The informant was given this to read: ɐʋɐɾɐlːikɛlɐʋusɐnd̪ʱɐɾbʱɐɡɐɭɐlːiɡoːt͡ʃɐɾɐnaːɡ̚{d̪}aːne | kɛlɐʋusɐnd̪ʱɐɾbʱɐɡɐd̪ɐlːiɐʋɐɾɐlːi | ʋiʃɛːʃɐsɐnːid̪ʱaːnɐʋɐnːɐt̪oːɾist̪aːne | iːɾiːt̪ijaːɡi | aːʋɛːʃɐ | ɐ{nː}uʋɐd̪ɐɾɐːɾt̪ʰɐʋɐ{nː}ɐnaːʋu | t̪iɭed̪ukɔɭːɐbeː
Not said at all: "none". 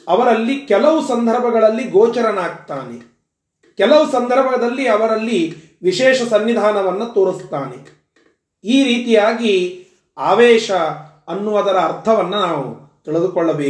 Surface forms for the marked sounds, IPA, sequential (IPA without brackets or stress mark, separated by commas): t̪, nː, nː